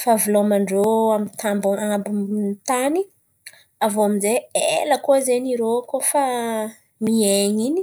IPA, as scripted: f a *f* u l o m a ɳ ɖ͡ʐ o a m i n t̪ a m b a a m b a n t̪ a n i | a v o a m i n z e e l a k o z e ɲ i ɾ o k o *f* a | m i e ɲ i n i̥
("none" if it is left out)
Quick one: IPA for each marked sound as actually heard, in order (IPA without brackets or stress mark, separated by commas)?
v, f